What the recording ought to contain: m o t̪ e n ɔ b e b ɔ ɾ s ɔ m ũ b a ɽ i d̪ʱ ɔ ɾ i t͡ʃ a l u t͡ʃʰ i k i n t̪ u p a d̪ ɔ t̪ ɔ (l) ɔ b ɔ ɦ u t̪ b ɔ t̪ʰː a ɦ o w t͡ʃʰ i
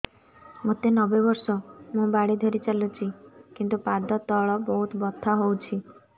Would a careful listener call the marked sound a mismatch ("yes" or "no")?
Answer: yes